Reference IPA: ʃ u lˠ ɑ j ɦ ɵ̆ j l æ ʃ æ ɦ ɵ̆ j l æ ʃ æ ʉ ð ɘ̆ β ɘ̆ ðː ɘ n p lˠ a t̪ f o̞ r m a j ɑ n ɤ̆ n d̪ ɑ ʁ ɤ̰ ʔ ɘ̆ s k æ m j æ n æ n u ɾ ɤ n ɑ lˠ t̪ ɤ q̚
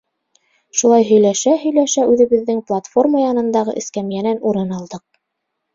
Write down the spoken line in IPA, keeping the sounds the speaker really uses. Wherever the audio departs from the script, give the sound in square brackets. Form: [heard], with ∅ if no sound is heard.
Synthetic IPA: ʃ u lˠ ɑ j ɦ ɵ̆ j l æ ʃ æ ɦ ɵ̆ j l æ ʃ æ ʉ ð ɘ̆ β ɘ̆ ðː ɘ [ŋ] p lˠ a t̪ f o̞ r m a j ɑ n ɤ̆ n d̪ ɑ ʁ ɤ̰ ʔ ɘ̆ s k æ m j æ n æ n u ɾ ɤ n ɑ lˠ [d̪] ɤ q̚